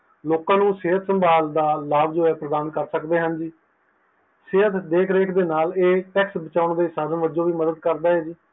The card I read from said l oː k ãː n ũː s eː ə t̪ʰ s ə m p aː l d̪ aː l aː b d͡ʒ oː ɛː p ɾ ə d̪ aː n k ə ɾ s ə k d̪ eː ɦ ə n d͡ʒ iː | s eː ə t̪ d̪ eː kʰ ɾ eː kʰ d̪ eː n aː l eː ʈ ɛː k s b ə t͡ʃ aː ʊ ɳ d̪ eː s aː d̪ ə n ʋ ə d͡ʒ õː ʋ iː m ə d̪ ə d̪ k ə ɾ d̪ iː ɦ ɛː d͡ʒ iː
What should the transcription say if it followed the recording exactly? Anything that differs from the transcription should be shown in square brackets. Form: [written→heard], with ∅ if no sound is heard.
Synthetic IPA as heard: l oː k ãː n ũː s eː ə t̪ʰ s ə m [p→b] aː l d̪ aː l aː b d͡ʒ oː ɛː p ɾ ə d̪ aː n k ə ɾ s ə k d̪ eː ɦ ə n d͡ʒ iː | s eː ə t̪ d̪ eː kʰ ɾ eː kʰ d̪ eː n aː l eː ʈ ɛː k s b ə t͡ʃ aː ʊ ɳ d̪ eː s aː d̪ ə n ʋ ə d͡ʒ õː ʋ iː m ə d̪ ə d̪ k ə ɾ d̪ [iː→aː] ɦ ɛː d͡ʒ iː